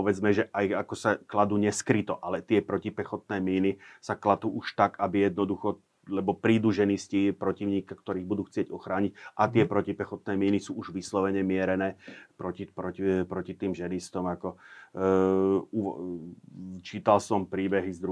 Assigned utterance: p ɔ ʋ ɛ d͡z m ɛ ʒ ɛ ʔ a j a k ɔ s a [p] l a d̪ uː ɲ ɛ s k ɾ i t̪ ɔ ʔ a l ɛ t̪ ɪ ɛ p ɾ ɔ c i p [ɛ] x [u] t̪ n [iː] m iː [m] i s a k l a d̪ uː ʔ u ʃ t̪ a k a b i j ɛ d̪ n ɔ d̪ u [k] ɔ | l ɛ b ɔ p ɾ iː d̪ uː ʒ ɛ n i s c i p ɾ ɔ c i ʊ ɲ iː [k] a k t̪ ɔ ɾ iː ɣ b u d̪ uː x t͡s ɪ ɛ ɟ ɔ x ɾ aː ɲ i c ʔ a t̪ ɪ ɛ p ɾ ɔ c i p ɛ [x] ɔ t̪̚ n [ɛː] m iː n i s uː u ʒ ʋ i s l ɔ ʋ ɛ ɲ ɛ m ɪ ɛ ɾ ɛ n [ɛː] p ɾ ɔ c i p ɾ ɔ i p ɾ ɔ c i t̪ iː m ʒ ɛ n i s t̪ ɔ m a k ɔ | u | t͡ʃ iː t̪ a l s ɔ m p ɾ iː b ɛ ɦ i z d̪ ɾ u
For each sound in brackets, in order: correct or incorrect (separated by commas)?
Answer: incorrect, correct, incorrect, incorrect, incorrect, incorrect, correct, correct, correct, correct